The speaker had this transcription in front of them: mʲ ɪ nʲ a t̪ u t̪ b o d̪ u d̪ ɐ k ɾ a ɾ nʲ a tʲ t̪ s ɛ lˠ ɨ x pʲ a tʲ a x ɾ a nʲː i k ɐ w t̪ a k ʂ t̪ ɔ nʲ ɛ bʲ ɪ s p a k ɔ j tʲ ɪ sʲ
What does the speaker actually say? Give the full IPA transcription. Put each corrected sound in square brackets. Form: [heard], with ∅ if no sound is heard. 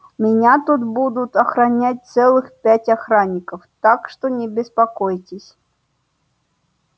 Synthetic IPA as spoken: mʲ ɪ nʲ a t̪ u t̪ b [u] d̪ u [t̪] ɐ [x] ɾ a [∅] nʲ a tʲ t̪ s ɛ lˠ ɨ x pʲ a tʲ a x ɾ a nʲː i k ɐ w t̪ a k ʂ t̪ ɔ nʲ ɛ bʲ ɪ s p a k ɔ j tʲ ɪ sʲ

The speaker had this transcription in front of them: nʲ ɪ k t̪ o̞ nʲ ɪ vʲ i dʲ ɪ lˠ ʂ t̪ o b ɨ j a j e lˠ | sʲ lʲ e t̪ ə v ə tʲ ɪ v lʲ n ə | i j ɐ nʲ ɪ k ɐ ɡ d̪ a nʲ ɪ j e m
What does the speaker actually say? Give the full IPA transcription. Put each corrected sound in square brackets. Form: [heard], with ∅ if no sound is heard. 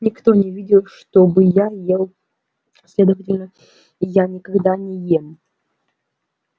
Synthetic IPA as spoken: nʲ ɪ k t̪ o̞ nʲ ɪ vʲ i dʲ ɪ lˠ ʂ t̪ o b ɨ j a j e lˠ | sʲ lʲ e [d̪] ə v ə tʲ ɪ [∅] lʲ n ə | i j [a] nʲ ɪ k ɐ ɡ d̪ a nʲ ɪ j e m

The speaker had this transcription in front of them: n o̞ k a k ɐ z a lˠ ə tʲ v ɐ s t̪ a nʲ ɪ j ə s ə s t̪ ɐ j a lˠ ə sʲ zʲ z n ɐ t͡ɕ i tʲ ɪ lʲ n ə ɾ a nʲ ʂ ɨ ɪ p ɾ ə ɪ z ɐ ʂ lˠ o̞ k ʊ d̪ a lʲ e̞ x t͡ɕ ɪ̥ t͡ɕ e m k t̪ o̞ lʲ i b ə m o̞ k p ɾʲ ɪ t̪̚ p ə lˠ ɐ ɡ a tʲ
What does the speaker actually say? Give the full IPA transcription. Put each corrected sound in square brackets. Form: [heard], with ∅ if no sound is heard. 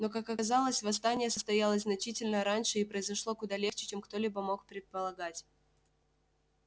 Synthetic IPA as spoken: n o̞ k a k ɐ z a lˠ ə [sʲ] v ɐ s t̪ a nʲ ɪ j ə s ə s t̪ ɐ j a lˠ ə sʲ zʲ z n ɐ t͡ɕ i tʲ ɪ lʲ n ə ɾ a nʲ ʂ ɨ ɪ p ɾ ə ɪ z ɐ ʂ lˠ o̞ k ʊ d̪ a lʲ e̞ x t͡ɕ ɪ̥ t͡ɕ e m k t̪ o̞ lʲ i b ə m o̞ k p ɾʲ ɪ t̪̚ p ə lˠ ɐ ɡ a tʲ

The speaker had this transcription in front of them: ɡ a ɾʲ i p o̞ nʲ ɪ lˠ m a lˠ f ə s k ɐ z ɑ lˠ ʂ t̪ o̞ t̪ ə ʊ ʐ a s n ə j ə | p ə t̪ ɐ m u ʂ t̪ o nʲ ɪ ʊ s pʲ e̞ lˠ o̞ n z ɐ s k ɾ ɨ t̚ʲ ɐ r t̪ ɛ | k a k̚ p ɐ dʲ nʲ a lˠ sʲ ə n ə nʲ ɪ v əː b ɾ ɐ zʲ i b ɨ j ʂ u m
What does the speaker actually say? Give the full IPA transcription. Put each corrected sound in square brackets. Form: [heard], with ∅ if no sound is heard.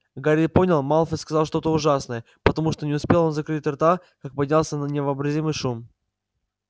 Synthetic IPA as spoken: ɡ a ɾʲ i p o̞ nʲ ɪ lˠ m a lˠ f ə s k ɐ z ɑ lˠ ʂ t̪ o̞ t̪ ə ʊ ʐ a s n ə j ə | p ə t̪ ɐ m u ʂ t̪ o nʲ ɪ ʊ s pʲ e̞ lˠ o̞ n z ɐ [∅] k ɾ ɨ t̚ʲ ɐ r t̪ [a] | k a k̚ p ɐ dʲ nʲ a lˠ sʲ ə n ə nʲ ɪ v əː b ɾ ɐ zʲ i [m] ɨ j ʂ u m

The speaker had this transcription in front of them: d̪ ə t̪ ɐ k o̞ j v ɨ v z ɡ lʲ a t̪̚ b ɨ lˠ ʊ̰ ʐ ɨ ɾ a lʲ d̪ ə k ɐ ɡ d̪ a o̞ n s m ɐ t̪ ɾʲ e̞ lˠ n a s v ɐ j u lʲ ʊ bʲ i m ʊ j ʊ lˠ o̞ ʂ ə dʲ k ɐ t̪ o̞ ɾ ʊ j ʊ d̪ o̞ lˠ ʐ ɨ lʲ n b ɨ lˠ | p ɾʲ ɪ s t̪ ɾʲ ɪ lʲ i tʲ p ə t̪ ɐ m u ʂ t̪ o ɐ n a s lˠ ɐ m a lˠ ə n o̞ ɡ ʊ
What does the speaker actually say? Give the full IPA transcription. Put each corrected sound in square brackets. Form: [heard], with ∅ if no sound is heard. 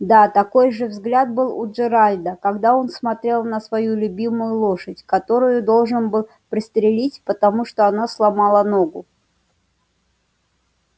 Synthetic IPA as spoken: d̪ [a] t̪ ɐ k o̞ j [ʐ] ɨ v z ɡ lʲ a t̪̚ b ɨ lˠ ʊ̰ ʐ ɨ ɾ a lʲ d̪ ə k ɐ ɡ d̪ a o̞ n s m ɐ t̪ ɾʲ e̞ lˠ n [ə] s v ɐ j u lʲ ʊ bʲ i m ʊ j ʊ lˠ o̞ ʂ ə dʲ k ɐ t̪ o̞ ɾ ʊ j ʊ d̪ o̞ lˠ ʐ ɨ [∅] n b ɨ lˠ | p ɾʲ ɪ s t̪ ɾʲ ɪ lʲ i tʲ p ə t̪ ɐ m u ʂ t̪ o ɐ n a s lˠ ɐ m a lˠ ə n o̞ ɡ ʊ

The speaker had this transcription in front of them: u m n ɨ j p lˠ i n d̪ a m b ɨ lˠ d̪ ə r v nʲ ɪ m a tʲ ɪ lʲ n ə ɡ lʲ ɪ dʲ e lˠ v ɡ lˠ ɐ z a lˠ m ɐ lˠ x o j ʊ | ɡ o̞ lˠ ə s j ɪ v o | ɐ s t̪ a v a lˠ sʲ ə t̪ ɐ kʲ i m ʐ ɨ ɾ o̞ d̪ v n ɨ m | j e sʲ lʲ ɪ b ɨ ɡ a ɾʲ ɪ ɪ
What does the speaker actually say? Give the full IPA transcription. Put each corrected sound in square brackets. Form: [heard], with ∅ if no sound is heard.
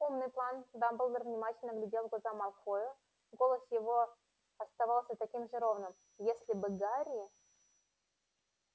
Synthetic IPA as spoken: u m n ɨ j p lˠ [a] n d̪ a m b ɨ lˠ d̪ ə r v nʲ ɪ m a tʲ ɪ lʲ n ə ɡ lʲ ɪ dʲ e lˠ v ɡ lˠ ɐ z a [∅] m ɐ lˠ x o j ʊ | ɡ o̞ lˠ ə s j ɪ v o | ɐ s t̪ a v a lˠ sʲ ə t̪ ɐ kʲ i m ʐ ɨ ɾ o̞ [∅] v n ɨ m | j e sʲ lʲ ɪ b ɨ ɡ a ɾʲ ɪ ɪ

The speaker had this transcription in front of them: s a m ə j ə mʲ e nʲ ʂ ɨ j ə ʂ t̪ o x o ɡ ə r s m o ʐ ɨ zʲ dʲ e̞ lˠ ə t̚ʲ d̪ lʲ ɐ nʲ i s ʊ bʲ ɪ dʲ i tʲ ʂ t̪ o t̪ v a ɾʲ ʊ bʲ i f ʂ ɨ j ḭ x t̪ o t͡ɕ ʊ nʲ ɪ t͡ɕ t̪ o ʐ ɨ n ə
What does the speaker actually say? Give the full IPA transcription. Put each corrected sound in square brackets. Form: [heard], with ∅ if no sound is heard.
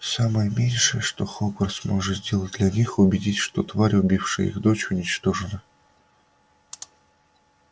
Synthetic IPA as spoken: s a m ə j ə mʲ e nʲ ʂ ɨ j ə ʂ t̪ o x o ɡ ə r s m o ʐ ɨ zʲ dʲ e̞ lˠ ə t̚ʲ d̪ lʲ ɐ nʲ i [x] ʊ bʲ ɪ dʲ i tʲ ʂ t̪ o t̪ v a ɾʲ ʊ bʲ i f ʂ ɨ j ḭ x [d̪] o t͡ɕ ʊ nʲ ɪ t͡ɕ t̪ o ʐ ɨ n ə

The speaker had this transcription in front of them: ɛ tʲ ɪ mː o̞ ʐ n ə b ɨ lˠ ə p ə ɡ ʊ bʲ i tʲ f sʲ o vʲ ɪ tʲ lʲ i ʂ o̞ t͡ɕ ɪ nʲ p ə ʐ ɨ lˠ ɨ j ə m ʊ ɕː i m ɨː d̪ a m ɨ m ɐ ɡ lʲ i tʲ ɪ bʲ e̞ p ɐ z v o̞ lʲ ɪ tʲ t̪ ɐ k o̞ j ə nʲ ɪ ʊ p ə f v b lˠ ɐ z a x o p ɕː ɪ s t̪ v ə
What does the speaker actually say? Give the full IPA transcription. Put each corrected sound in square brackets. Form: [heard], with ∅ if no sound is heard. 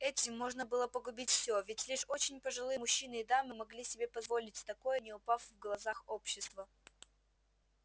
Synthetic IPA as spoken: ɛ tʲ ɪ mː o̞ ʐ n ə b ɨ lˠ ə p ə ɡ ʊ bʲ i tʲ f sʲ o vʲ ɪ tʲ lʲ i ʂ o̞ t͡ɕ ɪ nʲ p ə ʐ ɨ lˠ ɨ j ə m ʊ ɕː i [n] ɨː d̪ a m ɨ m ɐ ɡ lʲ i [sʲ] ɪ bʲ e̞ p ɐ z v o̞ lʲ ɪ tʲ t̪ ɐ k o̞ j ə nʲ ɪ ʊ p [a] f v [ɡ] lˠ ɐ z a x o p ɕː ɪ s t̪ v ə

